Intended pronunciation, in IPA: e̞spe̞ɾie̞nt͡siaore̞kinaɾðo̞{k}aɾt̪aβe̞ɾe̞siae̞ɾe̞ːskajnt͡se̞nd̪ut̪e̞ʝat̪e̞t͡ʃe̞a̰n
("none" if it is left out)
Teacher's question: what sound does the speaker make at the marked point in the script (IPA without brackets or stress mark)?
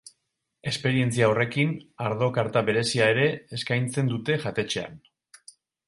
k